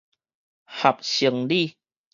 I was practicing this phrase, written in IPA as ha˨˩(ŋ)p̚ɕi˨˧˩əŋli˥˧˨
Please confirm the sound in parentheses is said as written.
no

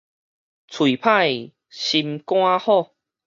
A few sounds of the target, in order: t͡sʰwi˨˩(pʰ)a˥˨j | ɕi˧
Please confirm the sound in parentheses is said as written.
yes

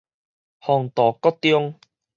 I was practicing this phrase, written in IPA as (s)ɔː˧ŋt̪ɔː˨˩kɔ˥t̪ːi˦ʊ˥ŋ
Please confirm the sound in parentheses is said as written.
no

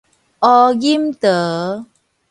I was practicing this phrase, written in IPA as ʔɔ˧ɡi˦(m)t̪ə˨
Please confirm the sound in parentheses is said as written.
yes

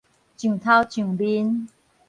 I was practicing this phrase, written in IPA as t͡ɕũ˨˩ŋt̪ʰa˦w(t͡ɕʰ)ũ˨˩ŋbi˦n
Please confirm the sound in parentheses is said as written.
no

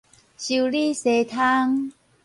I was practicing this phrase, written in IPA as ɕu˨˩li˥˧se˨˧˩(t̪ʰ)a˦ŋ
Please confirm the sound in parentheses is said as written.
yes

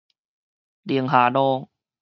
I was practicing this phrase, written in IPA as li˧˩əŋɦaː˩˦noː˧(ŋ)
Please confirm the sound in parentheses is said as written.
yes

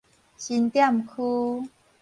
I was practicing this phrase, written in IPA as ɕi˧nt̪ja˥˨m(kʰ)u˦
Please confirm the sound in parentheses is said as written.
yes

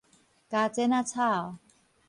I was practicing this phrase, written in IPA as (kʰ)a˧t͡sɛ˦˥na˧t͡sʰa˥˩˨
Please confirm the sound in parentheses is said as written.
no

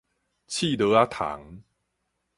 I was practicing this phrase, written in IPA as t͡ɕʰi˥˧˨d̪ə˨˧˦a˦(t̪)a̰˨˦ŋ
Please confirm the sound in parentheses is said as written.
no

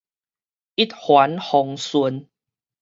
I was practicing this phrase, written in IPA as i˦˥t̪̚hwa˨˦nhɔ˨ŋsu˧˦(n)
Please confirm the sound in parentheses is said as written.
yes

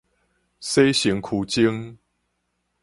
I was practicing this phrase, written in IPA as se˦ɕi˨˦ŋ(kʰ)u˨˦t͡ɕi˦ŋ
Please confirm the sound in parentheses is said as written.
yes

